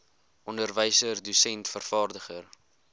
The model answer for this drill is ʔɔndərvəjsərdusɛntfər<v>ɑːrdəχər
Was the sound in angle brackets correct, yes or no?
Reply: no